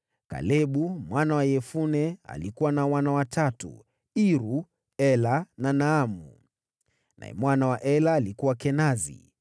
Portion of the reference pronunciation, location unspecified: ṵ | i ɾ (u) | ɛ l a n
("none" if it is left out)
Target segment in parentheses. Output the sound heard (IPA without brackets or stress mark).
u